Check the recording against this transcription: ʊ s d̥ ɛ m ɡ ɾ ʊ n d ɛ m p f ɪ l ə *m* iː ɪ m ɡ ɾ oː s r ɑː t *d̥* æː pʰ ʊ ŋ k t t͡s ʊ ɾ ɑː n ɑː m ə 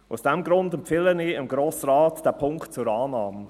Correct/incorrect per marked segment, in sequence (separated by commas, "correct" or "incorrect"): incorrect, correct